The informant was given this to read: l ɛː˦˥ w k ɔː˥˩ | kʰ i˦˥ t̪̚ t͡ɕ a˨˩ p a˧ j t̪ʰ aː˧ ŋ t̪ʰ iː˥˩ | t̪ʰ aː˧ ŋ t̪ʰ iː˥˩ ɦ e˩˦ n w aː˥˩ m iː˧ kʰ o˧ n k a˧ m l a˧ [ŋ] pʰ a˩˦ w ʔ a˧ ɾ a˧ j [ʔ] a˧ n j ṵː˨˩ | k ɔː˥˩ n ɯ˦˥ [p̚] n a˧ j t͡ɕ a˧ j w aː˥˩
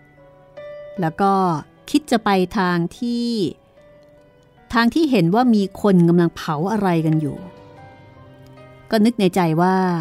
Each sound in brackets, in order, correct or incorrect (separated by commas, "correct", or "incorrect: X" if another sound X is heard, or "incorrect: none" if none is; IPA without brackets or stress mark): correct, incorrect: k, incorrect: k̚